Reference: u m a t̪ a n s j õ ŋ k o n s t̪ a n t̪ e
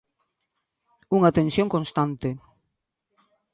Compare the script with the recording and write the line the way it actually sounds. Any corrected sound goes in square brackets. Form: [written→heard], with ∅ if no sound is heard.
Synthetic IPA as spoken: u [m→ŋ] a t̪ [a→e] n s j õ ŋ k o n s t̪ a n t̪ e